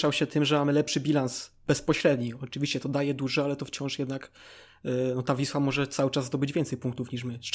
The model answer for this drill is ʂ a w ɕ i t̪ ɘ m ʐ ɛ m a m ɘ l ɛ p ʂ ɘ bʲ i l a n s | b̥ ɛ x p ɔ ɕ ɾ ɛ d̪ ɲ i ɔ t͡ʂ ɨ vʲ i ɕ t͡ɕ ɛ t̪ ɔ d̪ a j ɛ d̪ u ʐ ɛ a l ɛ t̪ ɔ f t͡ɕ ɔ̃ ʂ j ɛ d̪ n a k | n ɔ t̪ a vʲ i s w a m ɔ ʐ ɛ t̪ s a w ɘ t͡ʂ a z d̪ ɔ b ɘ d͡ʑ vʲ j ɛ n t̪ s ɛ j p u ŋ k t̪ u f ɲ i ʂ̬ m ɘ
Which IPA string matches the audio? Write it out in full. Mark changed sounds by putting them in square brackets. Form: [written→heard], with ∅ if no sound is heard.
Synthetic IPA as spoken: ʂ a w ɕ [i→ɛ] t̪ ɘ m ʐ ɛ m a m ɘ l ɛ p ʂ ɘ bʲ i l a n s | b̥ ɛ [x→s] p ɔ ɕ ɾ ɛ d̪ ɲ i ɔ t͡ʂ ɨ vʲ i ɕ t͡ɕ ɛ t̪ ɔ d̪ a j ɛ d̪ u ʐ ɛ a l ɛ t̪ ɔ f t͡ɕ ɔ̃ ʂ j ɛ d̪ n a k | n ɔ t̪ a vʲ i s w a m ɔ ʐ ɛ t̪ s a w ɘ t͡ʂ a z d̪ ɔ b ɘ d͡ʑ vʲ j ɛ n t̪ s ɛ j p u ŋ k t̪ u f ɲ i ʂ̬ m ɘ